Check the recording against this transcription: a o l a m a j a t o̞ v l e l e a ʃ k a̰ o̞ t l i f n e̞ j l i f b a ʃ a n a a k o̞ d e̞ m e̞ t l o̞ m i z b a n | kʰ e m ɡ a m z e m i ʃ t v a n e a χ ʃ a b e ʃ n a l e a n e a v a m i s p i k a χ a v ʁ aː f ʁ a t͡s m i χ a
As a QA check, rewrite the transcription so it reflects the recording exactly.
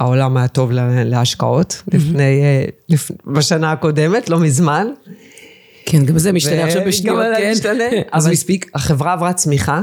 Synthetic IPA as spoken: a o l a m a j a t o̞ v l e l e a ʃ k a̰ o̞ t l i f n e̞ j l i f b a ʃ a n a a k o̞ d e̞ m e̞ t l o̞ m i z m a n | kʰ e n ɡ a m z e m i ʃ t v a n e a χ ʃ a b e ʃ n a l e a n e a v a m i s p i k a χ e v ʁ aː v ʁ a t͡s m i χ a